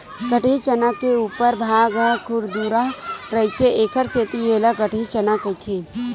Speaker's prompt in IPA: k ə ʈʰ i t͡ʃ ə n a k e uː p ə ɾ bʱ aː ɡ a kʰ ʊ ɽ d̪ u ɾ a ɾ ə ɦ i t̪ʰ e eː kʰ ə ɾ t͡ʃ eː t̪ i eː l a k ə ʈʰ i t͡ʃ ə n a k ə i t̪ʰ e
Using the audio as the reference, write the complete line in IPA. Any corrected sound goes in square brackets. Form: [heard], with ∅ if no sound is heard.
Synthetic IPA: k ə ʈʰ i t͡ʃ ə n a k e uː p ə ɾ bʱ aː ɡ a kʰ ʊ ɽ d̪ u ɾ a ɾ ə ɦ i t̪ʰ e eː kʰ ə ɾ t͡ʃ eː t̪ i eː l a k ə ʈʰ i t͡ʃ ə n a k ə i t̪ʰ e